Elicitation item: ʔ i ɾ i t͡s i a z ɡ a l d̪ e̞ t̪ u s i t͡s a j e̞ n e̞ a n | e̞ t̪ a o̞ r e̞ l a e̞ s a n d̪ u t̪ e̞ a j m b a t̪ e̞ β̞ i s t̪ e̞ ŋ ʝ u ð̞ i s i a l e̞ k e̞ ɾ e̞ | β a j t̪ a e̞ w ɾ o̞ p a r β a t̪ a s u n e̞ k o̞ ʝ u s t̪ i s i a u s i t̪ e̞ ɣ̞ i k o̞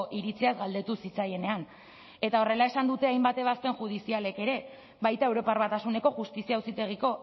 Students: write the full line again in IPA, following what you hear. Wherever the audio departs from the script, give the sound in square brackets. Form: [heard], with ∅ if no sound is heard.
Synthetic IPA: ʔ i ɾ i t͡s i a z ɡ a l d̪ e̞ t̪ u s i t͡s a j e̞ n e̞ a n | e̞ t̪ a o̞ r e̞ l a e̞ s a n d̪ u t̪ e̞ a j m b a t̪ e̞ β̞ [a] s t̪ e̞ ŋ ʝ u ð̞ i s i a l e̞ k e̞ ɾ e̞ | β a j t̪ a e̞ w ɾ o̞ p a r β a t̪ a s u n e̞ k o̞ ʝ u s t̪ i s i a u s i t̪ e̞ ɣ̞ i k o̞